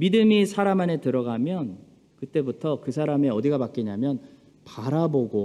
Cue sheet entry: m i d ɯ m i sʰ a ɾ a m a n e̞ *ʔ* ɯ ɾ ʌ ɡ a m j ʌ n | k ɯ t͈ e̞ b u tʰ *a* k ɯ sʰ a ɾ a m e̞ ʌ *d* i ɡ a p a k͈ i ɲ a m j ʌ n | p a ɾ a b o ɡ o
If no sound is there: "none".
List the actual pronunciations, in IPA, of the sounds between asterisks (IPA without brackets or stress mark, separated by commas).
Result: t, ʌ, d